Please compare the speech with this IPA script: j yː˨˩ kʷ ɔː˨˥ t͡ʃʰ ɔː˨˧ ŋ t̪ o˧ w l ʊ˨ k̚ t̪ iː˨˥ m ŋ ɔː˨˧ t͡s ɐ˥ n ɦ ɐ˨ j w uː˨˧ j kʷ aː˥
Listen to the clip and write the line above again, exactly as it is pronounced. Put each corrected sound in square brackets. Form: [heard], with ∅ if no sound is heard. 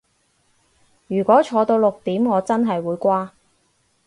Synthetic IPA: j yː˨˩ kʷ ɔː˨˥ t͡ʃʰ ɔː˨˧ [∅] t̪ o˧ w l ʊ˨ k̚ t̪ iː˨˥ m ŋ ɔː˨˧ t͡s ɐ˥ n ɦ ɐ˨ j w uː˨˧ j kʷ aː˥